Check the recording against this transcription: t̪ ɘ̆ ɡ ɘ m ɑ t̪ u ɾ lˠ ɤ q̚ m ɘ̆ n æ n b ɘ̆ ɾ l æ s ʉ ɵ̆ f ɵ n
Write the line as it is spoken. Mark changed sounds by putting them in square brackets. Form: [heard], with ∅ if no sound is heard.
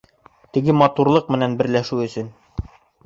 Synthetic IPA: t̪ ɘ̆ ɡ ɘ m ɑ t̪ u ɾ lˠ ɤ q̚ m ɘ̆ n æ n b ɘ̆ ɾ l æ [ʃ] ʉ ɵ̆ [s] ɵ n